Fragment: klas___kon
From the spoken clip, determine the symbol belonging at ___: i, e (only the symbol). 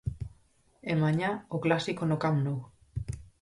i